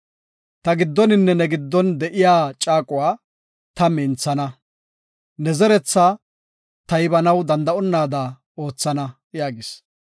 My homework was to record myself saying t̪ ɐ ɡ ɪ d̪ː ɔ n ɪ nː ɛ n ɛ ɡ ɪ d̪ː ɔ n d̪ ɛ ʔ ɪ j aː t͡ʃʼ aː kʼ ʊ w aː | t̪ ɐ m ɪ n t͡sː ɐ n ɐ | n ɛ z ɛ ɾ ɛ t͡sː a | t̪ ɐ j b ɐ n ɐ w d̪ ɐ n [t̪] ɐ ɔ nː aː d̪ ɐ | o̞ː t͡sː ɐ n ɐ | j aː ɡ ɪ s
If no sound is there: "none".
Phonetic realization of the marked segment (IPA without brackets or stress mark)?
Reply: d̪